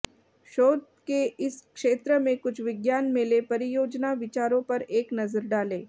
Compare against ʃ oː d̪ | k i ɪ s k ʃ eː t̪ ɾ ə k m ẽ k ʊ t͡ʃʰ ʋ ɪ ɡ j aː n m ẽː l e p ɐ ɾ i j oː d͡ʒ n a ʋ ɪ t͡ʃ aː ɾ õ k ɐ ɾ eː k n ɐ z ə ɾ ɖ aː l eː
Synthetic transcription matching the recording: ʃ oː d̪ | k e ɪ s k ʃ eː t̪ ɾ ə m ẽ k ʊ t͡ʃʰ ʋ ɪ ɡ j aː n m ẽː l e p ɐ ɾ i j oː d͡ʒ n a ʋ ɪ t͡ʃ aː ɾ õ p ɐ ɾ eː k n ɐ z ə ɾ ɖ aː l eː